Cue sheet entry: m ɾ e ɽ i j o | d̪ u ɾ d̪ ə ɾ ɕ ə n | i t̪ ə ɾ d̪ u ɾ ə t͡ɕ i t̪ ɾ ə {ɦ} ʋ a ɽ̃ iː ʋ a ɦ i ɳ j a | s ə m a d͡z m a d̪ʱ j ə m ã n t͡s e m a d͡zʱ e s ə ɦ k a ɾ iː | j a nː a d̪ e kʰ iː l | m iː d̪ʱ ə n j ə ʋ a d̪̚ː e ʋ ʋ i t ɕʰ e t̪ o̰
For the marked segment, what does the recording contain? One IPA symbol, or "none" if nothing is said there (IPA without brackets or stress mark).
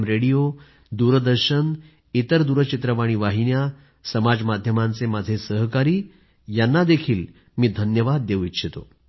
none